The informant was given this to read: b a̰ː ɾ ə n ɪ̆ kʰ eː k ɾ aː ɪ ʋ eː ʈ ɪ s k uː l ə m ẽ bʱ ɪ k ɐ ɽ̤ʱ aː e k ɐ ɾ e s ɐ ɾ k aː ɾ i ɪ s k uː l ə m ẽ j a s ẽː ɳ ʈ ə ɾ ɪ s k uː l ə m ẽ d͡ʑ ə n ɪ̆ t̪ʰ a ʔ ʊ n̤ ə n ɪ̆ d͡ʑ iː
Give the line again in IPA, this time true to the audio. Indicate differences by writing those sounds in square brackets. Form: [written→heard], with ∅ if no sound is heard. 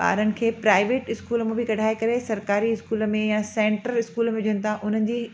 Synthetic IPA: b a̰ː ɾ ə n ɪ̆ kʰ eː [k→p] ɾ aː ɪ ʋ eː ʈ ɪ s k uː l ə m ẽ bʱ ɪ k ɐ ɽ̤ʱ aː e k ɐ ɾ e s ɐ ɾ k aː ɾ i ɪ s k uː l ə m ẽ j a s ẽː ɳ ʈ ə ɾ ɪ s k uː l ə m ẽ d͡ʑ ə n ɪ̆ t̪ʰ a ʔ ʊ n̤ ə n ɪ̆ d͡ʑ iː